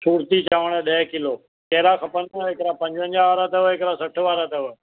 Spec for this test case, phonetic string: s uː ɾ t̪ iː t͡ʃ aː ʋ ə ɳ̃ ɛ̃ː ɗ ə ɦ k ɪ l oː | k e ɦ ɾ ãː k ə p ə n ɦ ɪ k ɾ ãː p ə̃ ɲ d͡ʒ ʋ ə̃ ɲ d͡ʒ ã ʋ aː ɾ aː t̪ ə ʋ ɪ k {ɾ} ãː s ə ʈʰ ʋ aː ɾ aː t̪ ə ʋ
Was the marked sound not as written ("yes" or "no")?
no